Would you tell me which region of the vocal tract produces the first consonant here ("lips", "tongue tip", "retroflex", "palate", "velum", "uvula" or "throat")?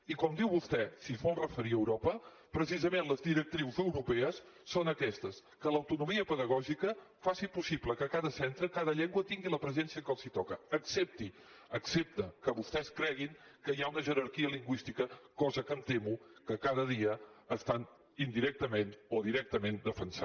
velum